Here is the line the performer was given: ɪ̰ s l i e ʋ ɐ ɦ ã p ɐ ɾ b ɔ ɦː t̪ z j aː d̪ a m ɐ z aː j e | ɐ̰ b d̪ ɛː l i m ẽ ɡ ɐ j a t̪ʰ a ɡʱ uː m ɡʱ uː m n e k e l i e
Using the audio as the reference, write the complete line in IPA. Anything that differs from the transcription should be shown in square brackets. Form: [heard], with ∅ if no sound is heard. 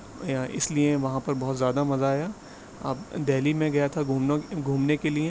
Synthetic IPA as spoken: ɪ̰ s l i e ʋ ɐ ɦ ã p ɐ ɾ b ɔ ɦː t̪ z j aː d̪ a m ɐ z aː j [a] | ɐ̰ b d̪ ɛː l i m ẽ ɡ ɐ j a t̪ʰ a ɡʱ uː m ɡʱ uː m n e k e l i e